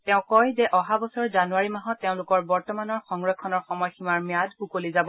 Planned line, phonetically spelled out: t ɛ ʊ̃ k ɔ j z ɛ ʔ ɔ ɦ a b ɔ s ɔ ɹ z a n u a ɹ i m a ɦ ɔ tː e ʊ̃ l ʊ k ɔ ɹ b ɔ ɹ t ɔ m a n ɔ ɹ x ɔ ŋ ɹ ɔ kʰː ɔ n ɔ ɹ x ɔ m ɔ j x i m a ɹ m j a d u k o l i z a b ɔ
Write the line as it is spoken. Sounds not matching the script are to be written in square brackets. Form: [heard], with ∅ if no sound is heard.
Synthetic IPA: t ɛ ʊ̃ k ɔ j z ɛ ʔ ɔ ɦ a b ɔ s ɔ ɹ z a n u a ɹ i m a ɦ ɔ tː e ʊ̃ l ʊ k ɔ ɹ b ɔ ɹ t ɔ m a n ɔ ɹ x ɔ ŋ ɹ ɔ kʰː ɔ n ɔ ɹ x ɔ m ɔ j x i m a ɹ m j a d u k o l i z a b ɔ